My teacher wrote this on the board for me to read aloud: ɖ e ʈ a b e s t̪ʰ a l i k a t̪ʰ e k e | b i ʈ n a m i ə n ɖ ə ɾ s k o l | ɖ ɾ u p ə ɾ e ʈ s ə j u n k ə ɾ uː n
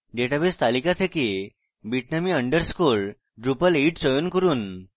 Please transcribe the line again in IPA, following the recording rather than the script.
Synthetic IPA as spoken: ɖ e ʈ a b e s t̪ a l i k a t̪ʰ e k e | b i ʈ n a m i ə ɳ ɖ ə ɾ s k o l | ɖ ɾ u p ə l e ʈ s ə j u n k ə ɾ uː n